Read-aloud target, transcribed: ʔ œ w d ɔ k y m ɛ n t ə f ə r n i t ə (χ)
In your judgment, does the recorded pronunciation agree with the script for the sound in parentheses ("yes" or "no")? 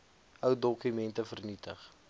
yes